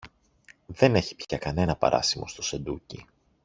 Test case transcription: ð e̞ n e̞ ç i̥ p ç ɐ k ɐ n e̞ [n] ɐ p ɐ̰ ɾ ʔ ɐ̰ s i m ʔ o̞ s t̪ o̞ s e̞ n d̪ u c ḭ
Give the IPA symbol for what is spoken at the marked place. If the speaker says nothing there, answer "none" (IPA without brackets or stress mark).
n